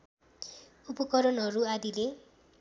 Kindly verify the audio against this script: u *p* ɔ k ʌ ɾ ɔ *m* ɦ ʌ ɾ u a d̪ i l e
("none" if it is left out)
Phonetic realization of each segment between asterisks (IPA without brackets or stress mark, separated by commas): p, n